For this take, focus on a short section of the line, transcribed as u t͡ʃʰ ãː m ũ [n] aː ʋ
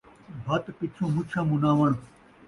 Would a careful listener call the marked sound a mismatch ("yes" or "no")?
no